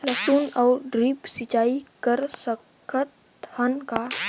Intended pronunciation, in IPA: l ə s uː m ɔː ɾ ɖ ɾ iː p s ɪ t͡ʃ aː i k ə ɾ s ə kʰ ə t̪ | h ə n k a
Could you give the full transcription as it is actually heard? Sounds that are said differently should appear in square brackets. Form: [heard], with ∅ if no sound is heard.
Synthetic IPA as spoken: l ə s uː [n] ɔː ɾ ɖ ɾ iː p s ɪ t͡ʃ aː i k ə ɾ s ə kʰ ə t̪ | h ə n k a